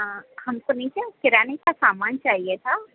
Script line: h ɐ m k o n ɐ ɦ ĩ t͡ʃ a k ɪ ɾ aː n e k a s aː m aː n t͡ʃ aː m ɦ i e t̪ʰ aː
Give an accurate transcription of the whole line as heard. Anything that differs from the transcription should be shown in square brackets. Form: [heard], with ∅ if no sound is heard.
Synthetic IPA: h ɐ m k o n ɐ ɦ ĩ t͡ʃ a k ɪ ɾ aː n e k a s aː m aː n t͡ʃ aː [∅] ɦ i e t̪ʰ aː